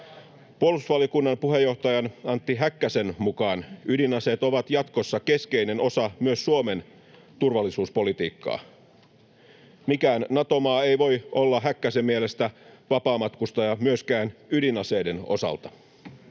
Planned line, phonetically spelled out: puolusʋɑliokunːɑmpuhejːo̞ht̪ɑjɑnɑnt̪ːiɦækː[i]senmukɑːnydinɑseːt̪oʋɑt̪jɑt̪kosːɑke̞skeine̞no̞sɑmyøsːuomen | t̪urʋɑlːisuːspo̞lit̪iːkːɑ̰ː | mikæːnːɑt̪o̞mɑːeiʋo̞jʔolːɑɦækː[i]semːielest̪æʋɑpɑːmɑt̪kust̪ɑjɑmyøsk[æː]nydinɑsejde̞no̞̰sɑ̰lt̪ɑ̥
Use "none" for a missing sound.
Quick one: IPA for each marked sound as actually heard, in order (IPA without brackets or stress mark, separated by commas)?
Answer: æ, æ, æː